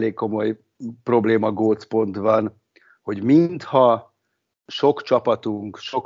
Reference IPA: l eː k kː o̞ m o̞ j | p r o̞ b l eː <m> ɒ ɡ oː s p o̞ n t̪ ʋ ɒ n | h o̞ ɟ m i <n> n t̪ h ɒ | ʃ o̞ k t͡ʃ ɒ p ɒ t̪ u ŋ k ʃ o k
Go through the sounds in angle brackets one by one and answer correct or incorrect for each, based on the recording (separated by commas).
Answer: correct, correct